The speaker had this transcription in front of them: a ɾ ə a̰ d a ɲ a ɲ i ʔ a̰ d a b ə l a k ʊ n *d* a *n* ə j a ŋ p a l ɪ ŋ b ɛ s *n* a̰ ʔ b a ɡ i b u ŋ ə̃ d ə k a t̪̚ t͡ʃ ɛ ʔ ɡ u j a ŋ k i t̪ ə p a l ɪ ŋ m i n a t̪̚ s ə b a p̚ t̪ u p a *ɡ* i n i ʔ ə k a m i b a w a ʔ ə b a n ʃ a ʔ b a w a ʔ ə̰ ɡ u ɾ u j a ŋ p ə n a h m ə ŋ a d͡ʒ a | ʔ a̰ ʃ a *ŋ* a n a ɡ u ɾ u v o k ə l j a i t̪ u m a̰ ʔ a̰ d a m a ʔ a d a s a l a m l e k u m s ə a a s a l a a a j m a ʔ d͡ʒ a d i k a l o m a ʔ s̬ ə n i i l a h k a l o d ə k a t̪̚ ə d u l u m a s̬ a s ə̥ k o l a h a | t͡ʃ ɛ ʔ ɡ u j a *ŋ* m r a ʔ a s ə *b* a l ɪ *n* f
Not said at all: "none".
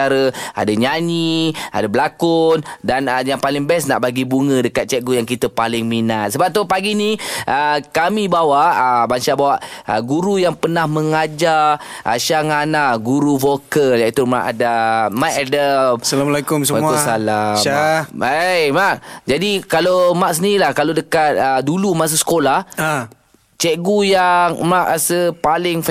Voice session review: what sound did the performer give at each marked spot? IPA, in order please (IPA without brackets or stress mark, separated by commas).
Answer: d, n, n, ɡ, ŋ, ŋ, p, ŋ